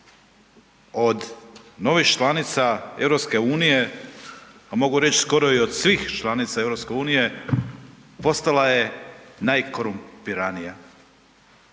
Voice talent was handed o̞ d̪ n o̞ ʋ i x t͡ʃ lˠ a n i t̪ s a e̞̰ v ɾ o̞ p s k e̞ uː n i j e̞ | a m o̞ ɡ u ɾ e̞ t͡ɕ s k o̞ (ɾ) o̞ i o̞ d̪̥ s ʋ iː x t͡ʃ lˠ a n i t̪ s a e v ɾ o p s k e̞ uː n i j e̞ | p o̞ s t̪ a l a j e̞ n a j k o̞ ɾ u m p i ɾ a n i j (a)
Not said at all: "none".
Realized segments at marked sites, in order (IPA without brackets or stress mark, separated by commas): ɾ, a